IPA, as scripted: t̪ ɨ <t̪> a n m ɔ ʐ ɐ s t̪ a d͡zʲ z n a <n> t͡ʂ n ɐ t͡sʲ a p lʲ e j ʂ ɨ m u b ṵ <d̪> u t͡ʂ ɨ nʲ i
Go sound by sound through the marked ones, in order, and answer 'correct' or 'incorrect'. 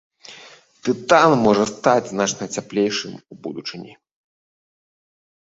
correct, incorrect: none, correct

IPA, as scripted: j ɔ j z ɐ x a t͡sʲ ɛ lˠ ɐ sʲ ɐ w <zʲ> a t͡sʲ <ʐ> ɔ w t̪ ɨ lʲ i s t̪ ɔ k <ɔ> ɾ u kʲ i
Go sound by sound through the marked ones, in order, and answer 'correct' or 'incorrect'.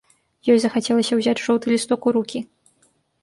correct, correct, incorrect: u

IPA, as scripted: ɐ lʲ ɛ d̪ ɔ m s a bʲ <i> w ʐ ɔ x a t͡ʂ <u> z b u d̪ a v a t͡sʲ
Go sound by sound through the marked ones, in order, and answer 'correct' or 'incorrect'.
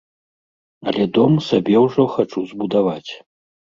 incorrect: ɛ, correct

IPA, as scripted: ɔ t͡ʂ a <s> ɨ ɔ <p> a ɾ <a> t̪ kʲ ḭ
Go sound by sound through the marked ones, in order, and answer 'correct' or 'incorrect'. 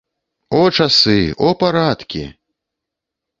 correct, correct, correct

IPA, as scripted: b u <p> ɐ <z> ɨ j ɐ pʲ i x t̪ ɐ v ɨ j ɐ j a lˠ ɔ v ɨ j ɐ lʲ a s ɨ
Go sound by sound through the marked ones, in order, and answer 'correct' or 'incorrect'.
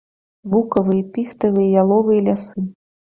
incorrect: k, incorrect: v

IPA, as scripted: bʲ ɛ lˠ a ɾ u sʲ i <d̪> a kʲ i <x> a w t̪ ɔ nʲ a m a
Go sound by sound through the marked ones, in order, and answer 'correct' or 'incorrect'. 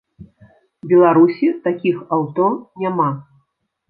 incorrect: t̪, correct

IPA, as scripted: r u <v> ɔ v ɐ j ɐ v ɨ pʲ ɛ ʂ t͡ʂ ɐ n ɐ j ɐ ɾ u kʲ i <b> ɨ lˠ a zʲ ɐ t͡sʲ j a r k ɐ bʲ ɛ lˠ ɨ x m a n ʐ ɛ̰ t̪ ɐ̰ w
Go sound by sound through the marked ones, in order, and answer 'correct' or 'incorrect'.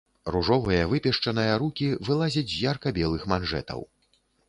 incorrect: ʐ, incorrect: v

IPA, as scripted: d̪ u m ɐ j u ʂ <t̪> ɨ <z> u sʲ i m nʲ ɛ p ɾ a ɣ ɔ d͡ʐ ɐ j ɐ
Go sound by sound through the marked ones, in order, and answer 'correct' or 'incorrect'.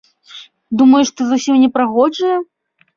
correct, correct

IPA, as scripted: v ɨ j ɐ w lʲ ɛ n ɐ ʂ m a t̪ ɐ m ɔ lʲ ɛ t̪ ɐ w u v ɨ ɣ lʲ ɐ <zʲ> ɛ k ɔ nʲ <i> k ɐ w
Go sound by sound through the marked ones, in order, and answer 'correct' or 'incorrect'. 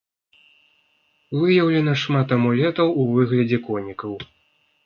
incorrect: d͡zʲ, correct

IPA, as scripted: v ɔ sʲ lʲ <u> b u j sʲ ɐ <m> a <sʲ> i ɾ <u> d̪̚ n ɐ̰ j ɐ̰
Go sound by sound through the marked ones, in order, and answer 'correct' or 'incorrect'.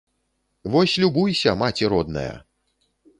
correct, correct, incorrect: t͡sʲ, incorrect: ɔ

